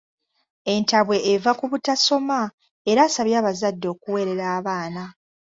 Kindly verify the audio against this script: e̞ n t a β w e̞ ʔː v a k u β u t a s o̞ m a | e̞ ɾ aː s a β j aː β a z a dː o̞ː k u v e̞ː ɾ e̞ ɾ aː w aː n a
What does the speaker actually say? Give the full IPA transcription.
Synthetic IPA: e̞ n t a β w e̞ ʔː v a k u β u t a s o̞ m a | e̞ ɾ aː s a β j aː β a z a dː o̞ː k u w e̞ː ɾ e̞ ɾ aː β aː n a